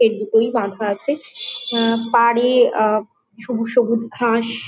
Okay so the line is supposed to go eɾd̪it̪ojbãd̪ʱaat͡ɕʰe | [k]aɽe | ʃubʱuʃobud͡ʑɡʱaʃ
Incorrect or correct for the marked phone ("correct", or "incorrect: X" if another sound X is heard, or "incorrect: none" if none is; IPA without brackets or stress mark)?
incorrect: p